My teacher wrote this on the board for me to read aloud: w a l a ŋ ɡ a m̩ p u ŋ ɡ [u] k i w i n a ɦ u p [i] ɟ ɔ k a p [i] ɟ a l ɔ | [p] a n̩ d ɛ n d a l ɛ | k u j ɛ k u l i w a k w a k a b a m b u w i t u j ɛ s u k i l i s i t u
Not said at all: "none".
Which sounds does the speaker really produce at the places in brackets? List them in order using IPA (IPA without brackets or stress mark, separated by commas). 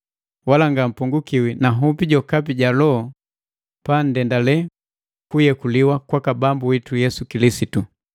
u, i, i, p